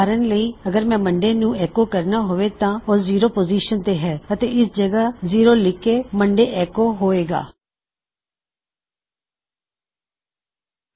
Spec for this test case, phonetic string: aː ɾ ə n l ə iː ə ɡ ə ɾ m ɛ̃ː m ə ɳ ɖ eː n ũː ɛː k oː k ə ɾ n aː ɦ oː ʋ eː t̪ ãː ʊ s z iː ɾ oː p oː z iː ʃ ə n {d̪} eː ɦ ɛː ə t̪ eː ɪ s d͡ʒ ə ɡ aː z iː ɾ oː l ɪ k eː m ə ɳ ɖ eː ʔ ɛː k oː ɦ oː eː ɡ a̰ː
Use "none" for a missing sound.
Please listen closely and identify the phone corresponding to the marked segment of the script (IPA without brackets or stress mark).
t̪